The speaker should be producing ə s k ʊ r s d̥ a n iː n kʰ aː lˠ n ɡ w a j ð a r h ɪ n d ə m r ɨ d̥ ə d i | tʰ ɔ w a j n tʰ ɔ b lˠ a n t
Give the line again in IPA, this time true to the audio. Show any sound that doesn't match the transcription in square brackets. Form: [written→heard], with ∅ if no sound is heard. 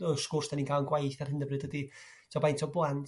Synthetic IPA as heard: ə s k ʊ r s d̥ a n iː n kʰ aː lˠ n ɡ w a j [ð→θ] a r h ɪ n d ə [m→b] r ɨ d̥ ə d i | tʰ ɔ [w→b] a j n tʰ ɔ b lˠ a n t

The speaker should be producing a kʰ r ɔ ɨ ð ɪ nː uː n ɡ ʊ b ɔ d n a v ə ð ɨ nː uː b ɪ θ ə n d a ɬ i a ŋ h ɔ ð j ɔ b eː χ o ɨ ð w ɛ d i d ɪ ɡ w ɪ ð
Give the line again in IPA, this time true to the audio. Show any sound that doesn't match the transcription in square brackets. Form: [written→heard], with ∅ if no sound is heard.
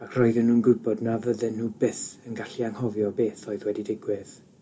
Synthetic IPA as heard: a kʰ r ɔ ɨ ð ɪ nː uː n ɡ ʊ b ɔ d n a v ə ð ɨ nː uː b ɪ θ ə n [d→ɡ] a ɬ i a ŋ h ɔ [ð→v] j ɔ b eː [χ→θ] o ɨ ð w ɛ d i d ɪ ɡ w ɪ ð

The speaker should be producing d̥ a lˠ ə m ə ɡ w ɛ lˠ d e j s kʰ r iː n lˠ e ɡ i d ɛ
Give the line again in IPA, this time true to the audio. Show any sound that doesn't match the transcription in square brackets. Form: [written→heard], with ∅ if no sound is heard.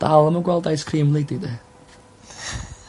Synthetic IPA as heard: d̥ a lˠ ə m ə ɡ w ɛ lˠ d [e→a] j s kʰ r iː [n→m] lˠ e [ɡ→d] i d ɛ

